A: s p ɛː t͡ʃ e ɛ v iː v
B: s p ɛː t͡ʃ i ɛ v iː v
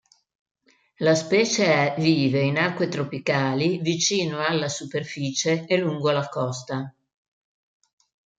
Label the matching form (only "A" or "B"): A